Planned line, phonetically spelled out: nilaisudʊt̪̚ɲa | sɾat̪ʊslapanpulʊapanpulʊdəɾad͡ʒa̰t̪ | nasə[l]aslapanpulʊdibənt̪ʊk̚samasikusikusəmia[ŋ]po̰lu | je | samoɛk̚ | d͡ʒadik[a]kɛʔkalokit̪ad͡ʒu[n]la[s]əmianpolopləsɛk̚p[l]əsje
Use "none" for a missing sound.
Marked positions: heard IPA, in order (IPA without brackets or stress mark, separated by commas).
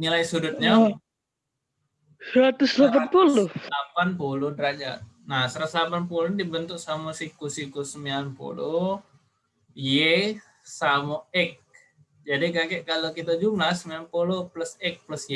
ɾ, n, a, m, s, l